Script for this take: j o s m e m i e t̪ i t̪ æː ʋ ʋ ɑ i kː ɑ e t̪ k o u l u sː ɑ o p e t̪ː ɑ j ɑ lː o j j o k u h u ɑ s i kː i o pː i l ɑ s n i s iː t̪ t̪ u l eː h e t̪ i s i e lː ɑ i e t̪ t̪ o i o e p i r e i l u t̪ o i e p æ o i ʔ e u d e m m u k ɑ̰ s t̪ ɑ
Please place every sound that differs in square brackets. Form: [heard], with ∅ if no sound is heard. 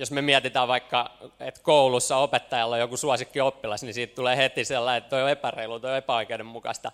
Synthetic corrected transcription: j o s m e m i [æ] t̪ i t̪ æː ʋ ʋ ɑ i kː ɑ e t̪ k o u l u sː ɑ o p e t̪ː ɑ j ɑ lː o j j o k u [s] u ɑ s i kː i o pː i l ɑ s n i s iː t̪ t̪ u l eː h e t̪ i s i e lː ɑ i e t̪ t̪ o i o e p [æ] r e i l u t̪ o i e p æ o i [k] e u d e m m u k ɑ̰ s t̪ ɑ